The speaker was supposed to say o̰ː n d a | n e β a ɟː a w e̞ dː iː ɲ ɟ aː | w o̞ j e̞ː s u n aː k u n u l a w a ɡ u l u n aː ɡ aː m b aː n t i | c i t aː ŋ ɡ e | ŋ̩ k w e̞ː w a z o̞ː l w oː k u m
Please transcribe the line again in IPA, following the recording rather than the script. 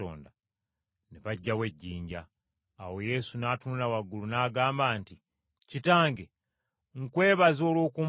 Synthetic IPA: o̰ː n d a | n e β a ɟː a w e̞ ɟː iː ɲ ɟ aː | w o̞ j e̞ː s u n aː t u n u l a w a ɡ u l u n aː ɡ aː m b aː n t i | c i t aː ŋ ɡ e | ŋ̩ k w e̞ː β a z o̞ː l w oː k u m